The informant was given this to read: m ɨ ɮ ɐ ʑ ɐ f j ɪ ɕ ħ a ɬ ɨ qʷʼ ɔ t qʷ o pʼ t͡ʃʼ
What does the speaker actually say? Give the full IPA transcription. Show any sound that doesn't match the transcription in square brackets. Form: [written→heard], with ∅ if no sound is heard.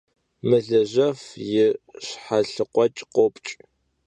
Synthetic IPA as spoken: m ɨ ɮ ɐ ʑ ɐ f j ɪ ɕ ħ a ɬ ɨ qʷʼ ɔ [t→t͡ʃʼ] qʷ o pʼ t͡ʃʼ